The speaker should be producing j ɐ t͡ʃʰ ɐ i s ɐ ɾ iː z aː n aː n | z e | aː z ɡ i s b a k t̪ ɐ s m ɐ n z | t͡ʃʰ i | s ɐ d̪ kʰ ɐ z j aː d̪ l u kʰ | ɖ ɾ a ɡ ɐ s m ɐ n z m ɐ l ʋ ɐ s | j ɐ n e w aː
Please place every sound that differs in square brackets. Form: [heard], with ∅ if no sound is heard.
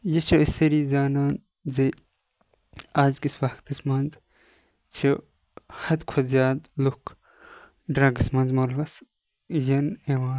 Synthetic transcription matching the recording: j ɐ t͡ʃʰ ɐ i s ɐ ɾ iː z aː n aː n | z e | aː z ɡ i s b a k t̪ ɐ s m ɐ n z | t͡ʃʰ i | [h] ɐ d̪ kʰ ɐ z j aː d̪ l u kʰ | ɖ ɾ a ɡ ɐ s m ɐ n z m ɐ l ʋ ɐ s | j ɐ n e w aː